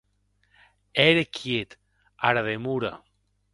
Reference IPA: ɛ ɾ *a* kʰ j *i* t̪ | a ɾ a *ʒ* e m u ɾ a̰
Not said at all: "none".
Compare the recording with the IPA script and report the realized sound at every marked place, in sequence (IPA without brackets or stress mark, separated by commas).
e, e, ð